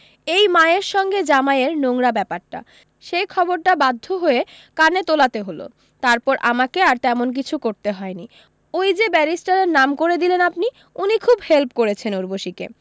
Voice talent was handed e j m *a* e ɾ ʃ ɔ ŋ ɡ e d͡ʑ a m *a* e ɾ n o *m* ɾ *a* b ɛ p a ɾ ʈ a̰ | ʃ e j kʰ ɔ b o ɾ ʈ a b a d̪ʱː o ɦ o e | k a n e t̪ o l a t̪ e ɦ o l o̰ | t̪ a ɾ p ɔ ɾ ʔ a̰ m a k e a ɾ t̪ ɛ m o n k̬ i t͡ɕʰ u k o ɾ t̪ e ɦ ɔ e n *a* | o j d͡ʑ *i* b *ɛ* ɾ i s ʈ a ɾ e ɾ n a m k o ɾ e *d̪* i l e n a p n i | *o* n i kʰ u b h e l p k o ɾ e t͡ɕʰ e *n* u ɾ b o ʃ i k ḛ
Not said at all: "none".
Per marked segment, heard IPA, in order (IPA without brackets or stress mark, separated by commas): a, a, ŋ, a, i, e, ɛ, d̪, u, n